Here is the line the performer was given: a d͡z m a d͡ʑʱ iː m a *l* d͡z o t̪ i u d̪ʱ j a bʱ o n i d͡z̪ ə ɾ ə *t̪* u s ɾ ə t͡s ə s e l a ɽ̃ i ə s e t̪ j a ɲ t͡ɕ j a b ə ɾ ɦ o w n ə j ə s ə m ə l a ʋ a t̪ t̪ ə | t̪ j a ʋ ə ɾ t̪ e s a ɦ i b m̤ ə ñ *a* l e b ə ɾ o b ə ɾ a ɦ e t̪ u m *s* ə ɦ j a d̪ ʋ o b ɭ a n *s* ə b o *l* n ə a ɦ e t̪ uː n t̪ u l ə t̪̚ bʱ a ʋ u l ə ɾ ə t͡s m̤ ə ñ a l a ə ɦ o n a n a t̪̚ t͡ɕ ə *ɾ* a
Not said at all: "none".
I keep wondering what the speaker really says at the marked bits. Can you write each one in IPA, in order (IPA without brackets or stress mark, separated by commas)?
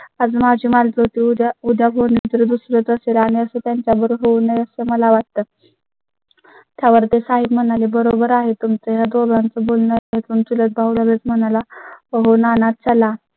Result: l, d̪, a, t͡s, t͡s, l, l